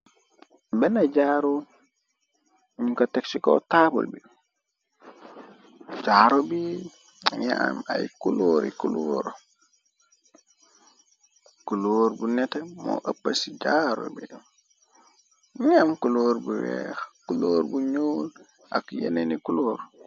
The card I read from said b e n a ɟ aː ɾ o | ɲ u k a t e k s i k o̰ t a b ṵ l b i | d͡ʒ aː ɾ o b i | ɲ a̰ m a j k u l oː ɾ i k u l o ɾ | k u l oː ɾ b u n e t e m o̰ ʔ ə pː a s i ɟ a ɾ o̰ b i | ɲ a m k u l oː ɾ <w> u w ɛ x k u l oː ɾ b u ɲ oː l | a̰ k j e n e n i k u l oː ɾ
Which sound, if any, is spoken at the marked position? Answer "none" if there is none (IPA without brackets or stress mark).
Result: b